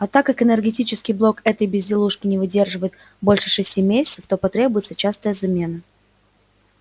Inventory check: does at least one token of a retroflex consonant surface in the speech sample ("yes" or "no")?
yes